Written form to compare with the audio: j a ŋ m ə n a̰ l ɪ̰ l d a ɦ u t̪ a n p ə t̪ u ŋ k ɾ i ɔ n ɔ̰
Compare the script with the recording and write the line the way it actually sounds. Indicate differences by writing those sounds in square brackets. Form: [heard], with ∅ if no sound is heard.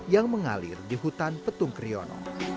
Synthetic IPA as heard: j a ŋ m ə [ŋ] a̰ l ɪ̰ [r] d [i] ɦ u t̪ a n p ə t̪ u ŋ k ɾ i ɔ n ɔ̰